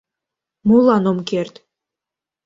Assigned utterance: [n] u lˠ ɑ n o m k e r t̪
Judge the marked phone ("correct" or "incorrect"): incorrect